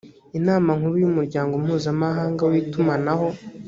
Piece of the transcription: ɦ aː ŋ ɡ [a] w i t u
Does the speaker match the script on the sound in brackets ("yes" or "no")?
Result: yes